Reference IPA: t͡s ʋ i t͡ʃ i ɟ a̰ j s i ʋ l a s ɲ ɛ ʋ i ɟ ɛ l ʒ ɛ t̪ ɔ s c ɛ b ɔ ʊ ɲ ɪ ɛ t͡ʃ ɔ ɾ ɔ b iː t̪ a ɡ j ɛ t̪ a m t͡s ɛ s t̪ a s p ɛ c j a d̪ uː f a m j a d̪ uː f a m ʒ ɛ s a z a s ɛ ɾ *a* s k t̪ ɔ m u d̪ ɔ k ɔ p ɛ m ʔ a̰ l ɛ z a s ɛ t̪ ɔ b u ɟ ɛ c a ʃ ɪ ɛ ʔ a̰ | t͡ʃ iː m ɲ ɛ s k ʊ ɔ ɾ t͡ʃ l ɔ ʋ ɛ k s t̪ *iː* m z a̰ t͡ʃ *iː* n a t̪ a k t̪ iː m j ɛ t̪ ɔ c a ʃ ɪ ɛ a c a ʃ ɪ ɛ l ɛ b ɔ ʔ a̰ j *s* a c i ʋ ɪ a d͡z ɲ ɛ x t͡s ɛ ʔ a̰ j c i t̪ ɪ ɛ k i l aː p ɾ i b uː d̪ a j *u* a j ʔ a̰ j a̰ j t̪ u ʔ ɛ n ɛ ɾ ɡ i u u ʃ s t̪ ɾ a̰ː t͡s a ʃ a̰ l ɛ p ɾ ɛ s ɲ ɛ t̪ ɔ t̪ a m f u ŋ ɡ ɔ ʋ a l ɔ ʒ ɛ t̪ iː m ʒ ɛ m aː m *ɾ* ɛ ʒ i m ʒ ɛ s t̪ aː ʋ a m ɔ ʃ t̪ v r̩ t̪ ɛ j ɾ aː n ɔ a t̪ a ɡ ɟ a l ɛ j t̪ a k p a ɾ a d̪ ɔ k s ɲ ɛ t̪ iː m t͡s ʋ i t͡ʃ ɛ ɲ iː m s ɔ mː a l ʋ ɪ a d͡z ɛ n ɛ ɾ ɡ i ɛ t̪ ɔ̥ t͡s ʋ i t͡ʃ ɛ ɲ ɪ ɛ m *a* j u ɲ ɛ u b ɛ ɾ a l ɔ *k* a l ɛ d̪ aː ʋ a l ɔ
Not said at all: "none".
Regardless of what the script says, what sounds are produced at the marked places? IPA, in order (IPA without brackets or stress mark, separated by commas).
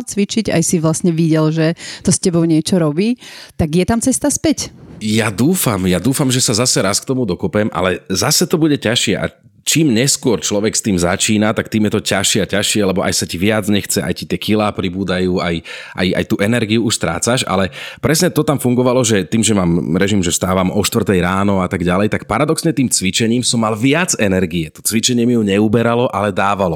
a, iː, iː, s, uː, ɾ, i, ʔ